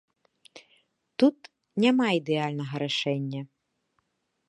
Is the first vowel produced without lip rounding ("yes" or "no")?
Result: no